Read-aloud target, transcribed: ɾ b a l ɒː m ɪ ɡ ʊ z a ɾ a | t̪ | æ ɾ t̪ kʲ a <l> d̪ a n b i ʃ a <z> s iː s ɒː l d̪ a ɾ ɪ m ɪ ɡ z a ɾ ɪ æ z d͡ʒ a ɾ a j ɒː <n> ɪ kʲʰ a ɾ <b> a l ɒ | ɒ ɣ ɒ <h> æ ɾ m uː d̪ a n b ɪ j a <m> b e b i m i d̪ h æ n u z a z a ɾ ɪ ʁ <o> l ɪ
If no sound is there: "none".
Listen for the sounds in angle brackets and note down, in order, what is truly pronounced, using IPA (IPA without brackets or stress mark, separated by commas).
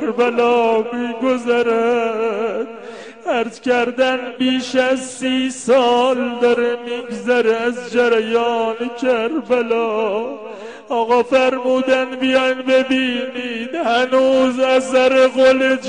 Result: ɾ, z, n, b, f, n, o